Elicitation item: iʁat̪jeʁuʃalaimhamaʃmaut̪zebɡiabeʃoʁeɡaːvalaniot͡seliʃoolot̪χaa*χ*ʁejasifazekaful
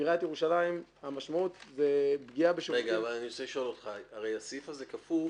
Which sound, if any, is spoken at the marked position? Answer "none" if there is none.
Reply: none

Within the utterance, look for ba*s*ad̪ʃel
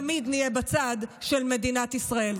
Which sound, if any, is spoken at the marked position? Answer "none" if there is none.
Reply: t͡s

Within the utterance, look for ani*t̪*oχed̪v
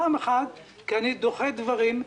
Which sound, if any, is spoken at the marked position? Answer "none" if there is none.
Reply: d̪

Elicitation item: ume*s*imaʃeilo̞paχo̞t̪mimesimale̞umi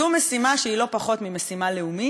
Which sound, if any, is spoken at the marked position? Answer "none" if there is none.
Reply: s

